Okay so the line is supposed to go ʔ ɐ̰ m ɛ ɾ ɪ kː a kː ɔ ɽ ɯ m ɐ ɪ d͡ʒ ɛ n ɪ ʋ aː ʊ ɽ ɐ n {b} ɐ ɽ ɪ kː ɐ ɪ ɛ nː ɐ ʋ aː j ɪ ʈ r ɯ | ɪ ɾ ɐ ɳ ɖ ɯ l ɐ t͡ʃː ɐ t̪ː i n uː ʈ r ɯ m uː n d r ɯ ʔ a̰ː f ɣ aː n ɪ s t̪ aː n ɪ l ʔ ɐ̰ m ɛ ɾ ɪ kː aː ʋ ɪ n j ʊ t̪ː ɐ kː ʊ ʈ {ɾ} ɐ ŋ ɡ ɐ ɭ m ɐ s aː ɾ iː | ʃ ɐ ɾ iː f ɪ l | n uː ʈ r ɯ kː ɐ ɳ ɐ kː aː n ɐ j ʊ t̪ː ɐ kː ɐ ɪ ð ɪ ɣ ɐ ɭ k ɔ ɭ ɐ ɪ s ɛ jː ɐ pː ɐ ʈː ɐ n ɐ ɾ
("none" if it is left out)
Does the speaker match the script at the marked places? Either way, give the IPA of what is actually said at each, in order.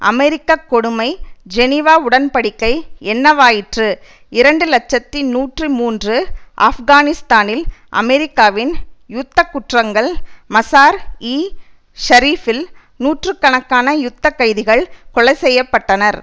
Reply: p, r

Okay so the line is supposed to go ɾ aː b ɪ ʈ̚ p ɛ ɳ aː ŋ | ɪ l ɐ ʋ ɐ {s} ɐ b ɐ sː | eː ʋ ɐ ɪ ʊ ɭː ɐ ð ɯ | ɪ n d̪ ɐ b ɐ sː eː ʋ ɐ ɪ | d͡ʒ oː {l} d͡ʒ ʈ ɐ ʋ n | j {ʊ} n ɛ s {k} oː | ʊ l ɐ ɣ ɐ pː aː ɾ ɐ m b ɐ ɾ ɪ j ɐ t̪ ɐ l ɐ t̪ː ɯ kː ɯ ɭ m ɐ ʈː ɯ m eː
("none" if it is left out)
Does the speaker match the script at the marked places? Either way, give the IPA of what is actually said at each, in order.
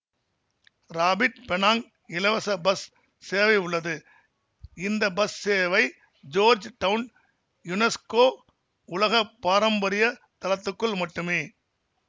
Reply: s, ɾ, ʊ, k

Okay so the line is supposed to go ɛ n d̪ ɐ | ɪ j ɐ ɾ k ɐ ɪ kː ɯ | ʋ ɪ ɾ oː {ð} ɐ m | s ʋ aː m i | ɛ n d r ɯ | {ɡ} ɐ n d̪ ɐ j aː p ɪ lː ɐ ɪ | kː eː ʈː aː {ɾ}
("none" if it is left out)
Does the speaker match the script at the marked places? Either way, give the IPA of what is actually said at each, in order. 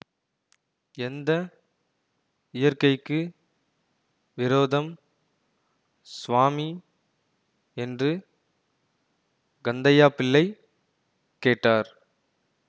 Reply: ð, ɡ, ɾ

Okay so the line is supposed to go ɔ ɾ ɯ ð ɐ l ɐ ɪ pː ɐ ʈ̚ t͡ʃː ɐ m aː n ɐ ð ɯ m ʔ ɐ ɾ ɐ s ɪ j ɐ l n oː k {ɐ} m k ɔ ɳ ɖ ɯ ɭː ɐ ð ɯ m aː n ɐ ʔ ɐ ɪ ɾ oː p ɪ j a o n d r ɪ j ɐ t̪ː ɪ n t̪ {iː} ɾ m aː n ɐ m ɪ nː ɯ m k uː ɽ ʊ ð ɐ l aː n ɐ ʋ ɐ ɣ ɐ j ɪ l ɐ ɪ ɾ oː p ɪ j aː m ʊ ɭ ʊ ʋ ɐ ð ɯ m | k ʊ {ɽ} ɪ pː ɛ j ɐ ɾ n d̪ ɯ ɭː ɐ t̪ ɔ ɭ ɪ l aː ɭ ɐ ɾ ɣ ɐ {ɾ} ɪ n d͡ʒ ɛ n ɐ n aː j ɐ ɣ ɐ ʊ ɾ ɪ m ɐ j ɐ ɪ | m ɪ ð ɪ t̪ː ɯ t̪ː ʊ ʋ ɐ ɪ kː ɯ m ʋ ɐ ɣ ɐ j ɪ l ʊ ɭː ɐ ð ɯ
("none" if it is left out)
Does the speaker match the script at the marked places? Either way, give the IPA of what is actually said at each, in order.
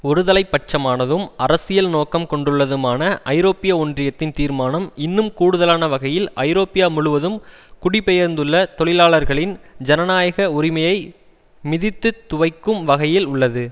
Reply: ɐ, iː, ɽ, ɭ

